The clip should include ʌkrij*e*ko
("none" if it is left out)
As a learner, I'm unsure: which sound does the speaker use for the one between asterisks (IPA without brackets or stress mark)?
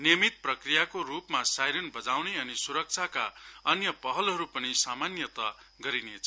a